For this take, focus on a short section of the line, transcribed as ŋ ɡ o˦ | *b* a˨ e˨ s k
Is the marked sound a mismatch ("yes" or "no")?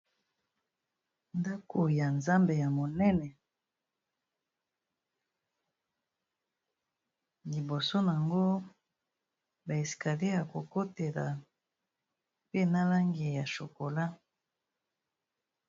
no